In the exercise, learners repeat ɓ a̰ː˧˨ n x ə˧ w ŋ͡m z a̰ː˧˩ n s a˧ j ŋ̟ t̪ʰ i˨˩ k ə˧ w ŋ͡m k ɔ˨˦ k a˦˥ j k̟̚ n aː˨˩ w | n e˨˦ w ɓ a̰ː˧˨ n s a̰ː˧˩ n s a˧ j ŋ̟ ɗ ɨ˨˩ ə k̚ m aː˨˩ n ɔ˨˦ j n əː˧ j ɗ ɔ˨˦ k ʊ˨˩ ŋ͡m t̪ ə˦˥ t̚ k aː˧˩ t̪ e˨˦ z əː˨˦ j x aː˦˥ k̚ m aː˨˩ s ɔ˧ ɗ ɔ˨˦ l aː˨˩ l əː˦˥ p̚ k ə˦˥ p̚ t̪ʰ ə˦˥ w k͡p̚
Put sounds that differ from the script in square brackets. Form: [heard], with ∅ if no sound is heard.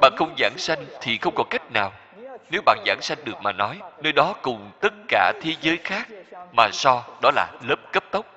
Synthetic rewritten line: ɓ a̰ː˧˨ n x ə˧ w ŋ͡m z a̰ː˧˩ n s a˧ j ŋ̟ t̪ʰ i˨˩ [x] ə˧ w ŋ͡m k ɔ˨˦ k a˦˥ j k̟̚ n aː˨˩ w | n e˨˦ w ɓ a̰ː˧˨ n [z] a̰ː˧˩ n s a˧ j ŋ̟ ɗ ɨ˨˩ ə k̚ m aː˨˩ n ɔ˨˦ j n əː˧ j ɗ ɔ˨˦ k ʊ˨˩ ŋ͡m t̪ ə˦˥ t̚ k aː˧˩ [t̪ʰ] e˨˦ z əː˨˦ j x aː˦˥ k̚ m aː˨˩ s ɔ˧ ɗ ɔ˨˦ l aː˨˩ l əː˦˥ p̚ k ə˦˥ p̚ [t̪] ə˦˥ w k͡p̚